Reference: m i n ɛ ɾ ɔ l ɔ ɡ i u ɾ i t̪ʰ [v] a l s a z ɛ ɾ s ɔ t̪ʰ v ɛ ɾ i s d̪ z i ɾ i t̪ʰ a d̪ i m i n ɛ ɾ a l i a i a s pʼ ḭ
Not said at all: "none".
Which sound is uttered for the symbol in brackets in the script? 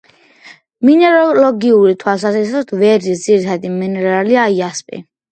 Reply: w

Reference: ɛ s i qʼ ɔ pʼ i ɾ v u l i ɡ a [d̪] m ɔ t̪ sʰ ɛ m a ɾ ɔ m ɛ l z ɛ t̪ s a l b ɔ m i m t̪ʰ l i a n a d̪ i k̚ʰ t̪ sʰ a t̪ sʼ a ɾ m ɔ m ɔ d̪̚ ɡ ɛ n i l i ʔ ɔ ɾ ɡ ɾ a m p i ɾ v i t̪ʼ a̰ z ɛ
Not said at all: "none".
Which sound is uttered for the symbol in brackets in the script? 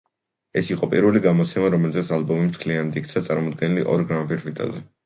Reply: none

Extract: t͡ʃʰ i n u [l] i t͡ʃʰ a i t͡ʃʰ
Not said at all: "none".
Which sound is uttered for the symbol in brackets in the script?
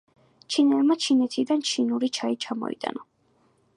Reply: ɾ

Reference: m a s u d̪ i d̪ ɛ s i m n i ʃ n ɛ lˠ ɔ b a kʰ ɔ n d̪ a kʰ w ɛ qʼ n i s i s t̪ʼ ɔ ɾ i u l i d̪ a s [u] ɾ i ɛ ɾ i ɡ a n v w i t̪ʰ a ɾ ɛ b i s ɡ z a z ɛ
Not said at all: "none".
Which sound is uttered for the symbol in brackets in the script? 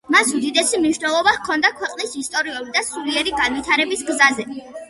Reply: u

